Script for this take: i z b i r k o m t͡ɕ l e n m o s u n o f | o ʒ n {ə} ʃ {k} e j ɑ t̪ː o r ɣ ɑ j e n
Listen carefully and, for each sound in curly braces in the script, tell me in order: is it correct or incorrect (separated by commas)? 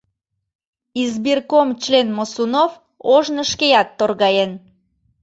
correct, correct